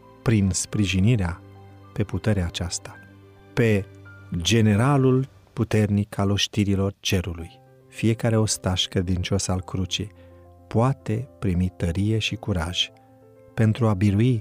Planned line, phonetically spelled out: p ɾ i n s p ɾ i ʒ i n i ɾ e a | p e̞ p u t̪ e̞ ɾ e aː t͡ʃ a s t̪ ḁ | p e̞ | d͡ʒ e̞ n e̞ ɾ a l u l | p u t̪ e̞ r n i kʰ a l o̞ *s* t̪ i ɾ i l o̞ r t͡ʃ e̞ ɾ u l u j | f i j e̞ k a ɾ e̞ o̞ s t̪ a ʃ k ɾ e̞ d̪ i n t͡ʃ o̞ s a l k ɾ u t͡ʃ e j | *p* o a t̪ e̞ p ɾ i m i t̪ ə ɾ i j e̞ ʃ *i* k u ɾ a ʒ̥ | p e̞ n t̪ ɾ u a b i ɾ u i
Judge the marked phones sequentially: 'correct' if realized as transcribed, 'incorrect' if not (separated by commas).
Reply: incorrect, correct, correct